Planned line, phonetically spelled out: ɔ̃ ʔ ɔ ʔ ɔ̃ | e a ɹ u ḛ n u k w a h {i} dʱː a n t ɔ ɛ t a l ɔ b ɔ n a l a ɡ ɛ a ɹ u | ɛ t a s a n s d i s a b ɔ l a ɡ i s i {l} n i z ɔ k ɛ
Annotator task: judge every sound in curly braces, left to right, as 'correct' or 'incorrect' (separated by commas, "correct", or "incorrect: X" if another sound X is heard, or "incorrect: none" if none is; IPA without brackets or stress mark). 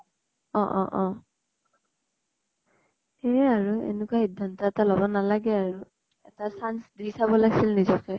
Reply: correct, correct